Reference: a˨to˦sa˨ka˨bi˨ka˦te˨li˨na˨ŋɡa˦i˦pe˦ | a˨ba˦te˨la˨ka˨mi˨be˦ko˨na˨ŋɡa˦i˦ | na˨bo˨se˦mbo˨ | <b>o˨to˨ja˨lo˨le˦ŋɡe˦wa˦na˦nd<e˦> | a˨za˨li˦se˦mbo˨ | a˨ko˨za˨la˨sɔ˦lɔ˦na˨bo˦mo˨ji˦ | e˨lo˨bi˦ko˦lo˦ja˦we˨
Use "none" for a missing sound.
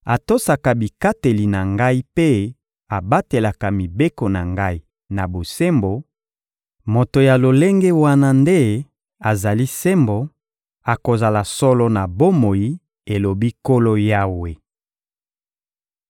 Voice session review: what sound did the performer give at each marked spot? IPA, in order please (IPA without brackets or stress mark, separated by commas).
m, e˦